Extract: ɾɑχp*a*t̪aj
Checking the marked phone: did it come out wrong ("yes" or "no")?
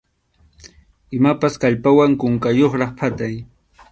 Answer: no